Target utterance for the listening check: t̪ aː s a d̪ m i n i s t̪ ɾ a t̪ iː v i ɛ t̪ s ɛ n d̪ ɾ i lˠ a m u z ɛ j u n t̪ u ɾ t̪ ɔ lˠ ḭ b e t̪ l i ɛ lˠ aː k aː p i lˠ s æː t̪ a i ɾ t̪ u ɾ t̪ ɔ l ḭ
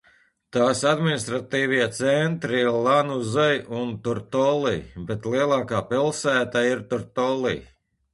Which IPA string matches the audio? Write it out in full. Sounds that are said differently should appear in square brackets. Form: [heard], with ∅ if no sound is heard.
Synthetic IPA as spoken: t̪ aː s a d̪ m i n i s t̪ ɾ a t̪ iː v i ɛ t̪ s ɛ n [t̪] ɾ i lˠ a [n] u z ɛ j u n t̪ u ɾ t̪ ɔ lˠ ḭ b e t̪ l i ɛ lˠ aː k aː p i lˠ s æː t̪ a i ɾ t̪ u ɾ t̪ ɔ l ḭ